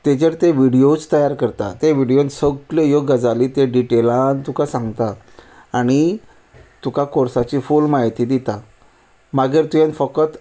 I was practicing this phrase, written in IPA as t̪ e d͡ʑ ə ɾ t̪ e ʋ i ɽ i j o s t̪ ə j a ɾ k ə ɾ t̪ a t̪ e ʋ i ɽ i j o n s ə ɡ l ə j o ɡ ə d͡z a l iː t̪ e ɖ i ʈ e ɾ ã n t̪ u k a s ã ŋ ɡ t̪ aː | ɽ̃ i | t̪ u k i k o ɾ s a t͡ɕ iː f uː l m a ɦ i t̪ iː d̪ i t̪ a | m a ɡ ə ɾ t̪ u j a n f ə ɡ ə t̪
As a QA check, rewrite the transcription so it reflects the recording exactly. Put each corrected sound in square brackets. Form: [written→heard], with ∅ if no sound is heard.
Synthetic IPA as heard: t̪ e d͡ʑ ə ɾ t̪ e ʋ i ɽ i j o [s→t͡s] t̪ ə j a ɾ k ə ɾ t̪ a t̪ e ʋ i ɽ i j o n s ə ɡ l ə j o ɡ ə d͡z a l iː t̪ e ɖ i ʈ e [ɾ→l] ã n t̪ u k a s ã ŋ ɡ t̪ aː | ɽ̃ i | t̪ u k [i→a] k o ɾ s a t͡ɕ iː f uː l m a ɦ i t̪ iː d̪ i t̪ a | m a ɡ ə ɾ t̪ u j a n f ə [ɡ→k] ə t̪